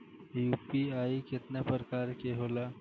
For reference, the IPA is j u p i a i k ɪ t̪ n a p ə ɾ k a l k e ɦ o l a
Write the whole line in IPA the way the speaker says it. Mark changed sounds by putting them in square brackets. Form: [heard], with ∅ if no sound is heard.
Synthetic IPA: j u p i a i k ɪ t̪ n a p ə ɾ k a [ɾ] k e ɦ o l a